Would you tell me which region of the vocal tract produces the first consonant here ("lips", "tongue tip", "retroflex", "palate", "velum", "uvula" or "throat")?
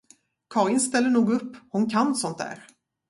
velum